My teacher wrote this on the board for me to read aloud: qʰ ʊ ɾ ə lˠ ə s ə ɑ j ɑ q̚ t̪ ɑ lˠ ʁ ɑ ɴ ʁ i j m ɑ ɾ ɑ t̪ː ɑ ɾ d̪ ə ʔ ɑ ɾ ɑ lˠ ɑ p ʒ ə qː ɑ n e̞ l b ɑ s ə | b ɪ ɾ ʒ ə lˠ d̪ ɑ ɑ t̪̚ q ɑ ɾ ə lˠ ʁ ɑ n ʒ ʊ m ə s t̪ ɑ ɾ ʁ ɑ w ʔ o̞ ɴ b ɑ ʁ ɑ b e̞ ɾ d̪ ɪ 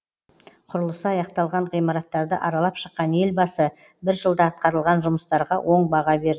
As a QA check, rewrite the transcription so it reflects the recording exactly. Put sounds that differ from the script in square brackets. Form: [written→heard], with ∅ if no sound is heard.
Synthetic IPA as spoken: qʰ ʊ ɾ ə lˠ ə s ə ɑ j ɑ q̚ t̪ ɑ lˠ ʁ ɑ ɴ ʁ i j m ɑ ɾ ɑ t̪ː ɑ ɾ d̪ ə ʔ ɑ ɾ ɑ lˠ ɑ p [ʒ→ʃ] ə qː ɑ n e̞ l b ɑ s ə | b ɪ ɾ ʒ ə lˠ d̪ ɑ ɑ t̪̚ q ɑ ɾ ə lˠ ʁ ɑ n ʒ ʊ m ə s t̪ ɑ ɾ ʁ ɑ w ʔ o̞ ɴ b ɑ ʁ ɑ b e̞ ɾ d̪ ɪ

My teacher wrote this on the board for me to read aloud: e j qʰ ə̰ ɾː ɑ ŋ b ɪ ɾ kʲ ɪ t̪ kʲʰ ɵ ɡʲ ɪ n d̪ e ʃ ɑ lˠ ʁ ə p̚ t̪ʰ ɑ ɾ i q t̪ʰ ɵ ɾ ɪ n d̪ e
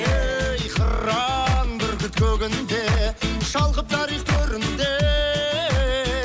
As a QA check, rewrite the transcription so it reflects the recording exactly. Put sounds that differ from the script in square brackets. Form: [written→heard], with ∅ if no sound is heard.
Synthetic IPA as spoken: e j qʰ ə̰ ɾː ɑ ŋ b ɪ ɾ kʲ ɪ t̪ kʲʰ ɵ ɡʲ ɪ n d̪ e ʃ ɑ lˠ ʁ ə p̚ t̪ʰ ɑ ɾ i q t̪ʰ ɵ ɾ ɪ n d̪ e

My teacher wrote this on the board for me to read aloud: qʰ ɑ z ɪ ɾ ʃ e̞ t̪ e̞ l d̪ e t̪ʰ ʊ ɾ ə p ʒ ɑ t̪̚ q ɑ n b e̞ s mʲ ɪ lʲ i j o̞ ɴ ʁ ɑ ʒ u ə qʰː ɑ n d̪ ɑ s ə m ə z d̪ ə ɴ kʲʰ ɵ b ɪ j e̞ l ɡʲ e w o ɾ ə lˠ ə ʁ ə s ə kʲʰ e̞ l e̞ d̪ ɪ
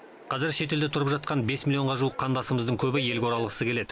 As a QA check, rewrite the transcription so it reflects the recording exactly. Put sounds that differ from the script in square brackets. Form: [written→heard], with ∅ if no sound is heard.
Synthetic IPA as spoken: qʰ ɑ z ɪ ɾ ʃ e̞ t̪ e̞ l d̪ e t̪ʰ ʊ ɾ ə p ʒ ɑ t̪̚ q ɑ n b e̞ s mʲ [ɪ→i] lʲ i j o̞ ɴ ʁ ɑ ʒ u ə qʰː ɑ n d̪ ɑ s ə m ə z d̪ ə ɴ kʲʰ ɵ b ɪ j e̞ l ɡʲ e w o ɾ [ə→ɑ] lˠ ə ʁ ə s ə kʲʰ e̞ l e̞ d̪ ɪ

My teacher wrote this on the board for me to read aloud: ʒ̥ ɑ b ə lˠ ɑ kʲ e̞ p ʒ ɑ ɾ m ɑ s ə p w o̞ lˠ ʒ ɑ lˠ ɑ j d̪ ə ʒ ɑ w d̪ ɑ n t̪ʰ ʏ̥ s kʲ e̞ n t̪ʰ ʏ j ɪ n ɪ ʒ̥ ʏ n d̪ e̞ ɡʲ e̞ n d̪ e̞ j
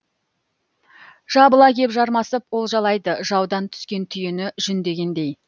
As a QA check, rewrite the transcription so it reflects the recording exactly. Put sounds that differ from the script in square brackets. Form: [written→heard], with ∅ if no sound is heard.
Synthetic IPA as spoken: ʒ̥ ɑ b ə lˠ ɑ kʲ e̞ p ʒ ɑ ɾ m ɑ s ə p w o̞ lˠ ʒ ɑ lˠ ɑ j d̪ ə ʒ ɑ w d̪ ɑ n t̪ʰ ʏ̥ s kʲ e̞ n t̪ʰ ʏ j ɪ n ɪ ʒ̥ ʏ n d̪ e̞ ɡʲ e̞ n d̪ e̞ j

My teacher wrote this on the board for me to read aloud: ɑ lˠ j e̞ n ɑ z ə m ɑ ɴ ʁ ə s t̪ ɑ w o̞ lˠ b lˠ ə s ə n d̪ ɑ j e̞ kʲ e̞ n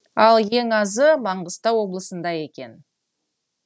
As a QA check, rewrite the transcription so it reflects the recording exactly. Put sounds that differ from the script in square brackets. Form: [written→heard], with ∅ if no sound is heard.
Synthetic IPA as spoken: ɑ lˠ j e̞ [n→ŋ] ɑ z ə m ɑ ɴ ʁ ə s t̪ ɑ w o̞ [lˠ→∅] b lˠ ə s ə n d̪ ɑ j e̞ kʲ e̞ n

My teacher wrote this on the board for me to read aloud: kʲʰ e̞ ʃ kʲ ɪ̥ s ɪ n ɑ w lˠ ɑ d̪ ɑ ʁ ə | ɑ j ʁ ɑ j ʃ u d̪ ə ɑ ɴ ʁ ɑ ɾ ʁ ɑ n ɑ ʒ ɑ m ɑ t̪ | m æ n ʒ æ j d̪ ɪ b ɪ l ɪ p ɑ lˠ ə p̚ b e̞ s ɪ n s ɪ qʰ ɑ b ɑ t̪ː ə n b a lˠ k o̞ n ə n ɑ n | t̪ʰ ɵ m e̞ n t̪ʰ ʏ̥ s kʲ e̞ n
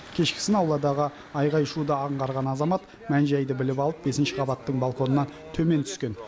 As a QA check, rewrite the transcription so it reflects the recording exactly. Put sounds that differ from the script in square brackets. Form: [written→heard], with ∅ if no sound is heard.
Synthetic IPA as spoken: kʲʰ e̞ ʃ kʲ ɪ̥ s ɪ n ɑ w lˠ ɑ d̪ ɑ ʁ ə | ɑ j ʁ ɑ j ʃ u d̪ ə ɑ ɴ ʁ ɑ ɾ ʁ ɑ n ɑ [ʒ→z] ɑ m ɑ t̪ | m æ n ʒ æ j d̪ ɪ b ɪ l ɪ p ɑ lˠ ə p̚ b e̞ s ɪ n [s→ʃ] ɪ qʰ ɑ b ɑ t̪ː ə [n→ɴ] b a lˠ k o̞ n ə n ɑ n | t̪ʰ ɵ m e̞ n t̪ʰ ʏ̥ s kʲ e̞ n

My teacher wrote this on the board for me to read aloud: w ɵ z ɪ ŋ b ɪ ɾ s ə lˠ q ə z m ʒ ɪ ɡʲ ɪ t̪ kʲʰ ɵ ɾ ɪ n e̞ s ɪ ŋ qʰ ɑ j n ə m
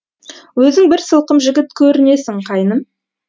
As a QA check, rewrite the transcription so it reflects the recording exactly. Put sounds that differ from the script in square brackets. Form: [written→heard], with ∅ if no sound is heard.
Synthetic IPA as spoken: w ɵ z ɪ ŋ b ɪ ɾ s ə lˠ q ə [z→∅] m ʒ ɪ ɡʲ ɪ t̪ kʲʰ ɵ ɾ ɪ n e̞ s ɪ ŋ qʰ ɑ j n ə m

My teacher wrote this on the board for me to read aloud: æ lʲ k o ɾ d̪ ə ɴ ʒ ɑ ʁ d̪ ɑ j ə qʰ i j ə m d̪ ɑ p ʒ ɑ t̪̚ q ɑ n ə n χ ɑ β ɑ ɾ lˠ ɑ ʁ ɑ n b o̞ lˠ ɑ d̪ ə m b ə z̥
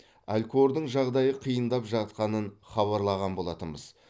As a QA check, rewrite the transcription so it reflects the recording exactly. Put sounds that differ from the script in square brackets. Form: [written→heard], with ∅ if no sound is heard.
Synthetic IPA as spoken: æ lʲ k o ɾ d̪ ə ɴ ʒ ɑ ʁ d̪ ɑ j ə qʰ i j ə [m→n] d̪ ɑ p ʒ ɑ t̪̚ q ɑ n ə n χ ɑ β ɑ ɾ lˠ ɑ ʁ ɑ n b o̞ lˠ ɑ [d̪→t̪] ə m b ə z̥

